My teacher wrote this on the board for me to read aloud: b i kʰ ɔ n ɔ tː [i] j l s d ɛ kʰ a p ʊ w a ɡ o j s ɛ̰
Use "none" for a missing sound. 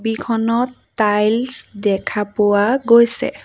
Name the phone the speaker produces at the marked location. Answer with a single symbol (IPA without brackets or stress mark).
a